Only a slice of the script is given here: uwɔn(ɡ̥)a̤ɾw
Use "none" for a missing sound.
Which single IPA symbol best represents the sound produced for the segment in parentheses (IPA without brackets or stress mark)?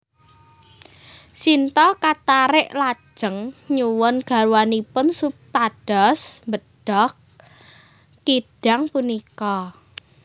ɡ̥